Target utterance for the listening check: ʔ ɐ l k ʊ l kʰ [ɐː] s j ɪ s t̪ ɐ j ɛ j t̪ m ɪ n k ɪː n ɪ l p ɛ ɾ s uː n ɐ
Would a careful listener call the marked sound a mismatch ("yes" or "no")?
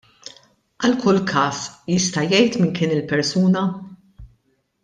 no